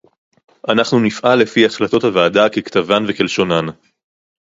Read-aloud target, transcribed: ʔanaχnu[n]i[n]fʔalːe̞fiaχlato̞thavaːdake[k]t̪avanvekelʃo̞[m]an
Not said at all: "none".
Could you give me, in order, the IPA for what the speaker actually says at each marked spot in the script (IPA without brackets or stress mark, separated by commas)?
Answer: n, none, k, n